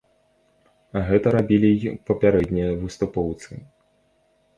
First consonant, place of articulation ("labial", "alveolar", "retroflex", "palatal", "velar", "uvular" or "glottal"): velar